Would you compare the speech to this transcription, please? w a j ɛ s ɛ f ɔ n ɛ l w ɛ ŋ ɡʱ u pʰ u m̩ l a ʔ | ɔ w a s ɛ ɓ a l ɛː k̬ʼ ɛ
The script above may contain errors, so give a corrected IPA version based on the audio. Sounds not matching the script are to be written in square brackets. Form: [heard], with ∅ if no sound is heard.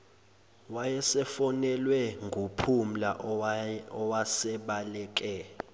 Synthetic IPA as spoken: w a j ɛ s ɛ f ɔ n ɛ l w ɛ ŋ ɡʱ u pʰ u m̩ l a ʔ | ɔ w a s ɛ ɓ a l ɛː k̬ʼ ɛ